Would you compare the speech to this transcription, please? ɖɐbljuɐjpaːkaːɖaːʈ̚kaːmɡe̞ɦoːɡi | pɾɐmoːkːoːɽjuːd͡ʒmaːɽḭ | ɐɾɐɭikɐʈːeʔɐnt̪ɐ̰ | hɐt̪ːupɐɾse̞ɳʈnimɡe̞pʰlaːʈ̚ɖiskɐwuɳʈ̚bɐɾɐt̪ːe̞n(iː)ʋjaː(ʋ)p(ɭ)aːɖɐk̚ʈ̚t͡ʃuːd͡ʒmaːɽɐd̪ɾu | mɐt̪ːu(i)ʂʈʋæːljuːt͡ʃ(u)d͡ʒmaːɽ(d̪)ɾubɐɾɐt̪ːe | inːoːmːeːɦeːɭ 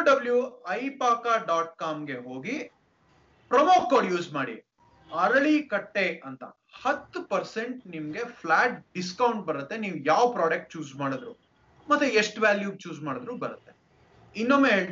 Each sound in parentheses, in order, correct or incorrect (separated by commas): correct, correct, incorrect, incorrect, incorrect, correct